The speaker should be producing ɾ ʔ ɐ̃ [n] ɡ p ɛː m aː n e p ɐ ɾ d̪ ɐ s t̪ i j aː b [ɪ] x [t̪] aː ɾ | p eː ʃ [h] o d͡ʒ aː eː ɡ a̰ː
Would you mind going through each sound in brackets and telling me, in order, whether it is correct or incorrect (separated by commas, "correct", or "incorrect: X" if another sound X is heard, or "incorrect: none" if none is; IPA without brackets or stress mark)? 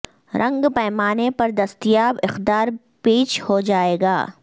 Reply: incorrect: ŋ, correct, incorrect: d̪, correct